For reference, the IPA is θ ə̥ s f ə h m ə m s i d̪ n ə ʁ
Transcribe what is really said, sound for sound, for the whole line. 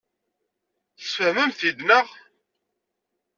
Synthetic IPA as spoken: θ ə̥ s f ə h m ə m θ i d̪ n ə ʁ